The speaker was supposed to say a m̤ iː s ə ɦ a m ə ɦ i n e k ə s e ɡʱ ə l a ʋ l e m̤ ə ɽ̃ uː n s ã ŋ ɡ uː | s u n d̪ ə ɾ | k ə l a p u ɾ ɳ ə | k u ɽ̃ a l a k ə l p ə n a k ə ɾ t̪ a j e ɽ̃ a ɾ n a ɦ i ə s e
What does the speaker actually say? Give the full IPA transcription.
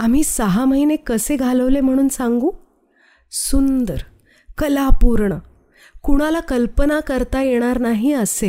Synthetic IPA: a m̤ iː s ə ɦ a m ə ɦ i n e k ə s e ɡʱ a l ə ʋ l e m̤ ə ɽ̃ uː n s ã ŋ ɡ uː | s u n d̪ ə ɾ | k ə l a p u ɾ ɳ ə | k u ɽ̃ a l a k ə l p ə n a k ə ɾ t̪ a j e ɽ̃ a ɾ n a ɦ i ə s e